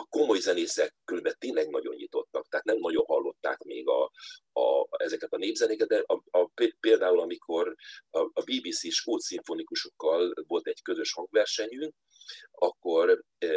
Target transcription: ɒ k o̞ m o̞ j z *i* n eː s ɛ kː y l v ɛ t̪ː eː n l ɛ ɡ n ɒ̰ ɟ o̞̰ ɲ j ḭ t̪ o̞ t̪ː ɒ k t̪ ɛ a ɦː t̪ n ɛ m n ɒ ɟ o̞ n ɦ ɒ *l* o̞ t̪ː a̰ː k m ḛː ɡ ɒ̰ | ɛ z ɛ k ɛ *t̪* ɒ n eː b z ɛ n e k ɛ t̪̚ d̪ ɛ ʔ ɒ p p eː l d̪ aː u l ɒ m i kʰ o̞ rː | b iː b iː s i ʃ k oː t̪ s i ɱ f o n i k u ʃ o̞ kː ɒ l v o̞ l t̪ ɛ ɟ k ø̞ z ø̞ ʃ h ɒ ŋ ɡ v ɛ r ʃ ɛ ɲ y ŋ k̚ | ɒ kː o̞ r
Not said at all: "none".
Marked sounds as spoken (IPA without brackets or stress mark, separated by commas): ɛ, lː, t̪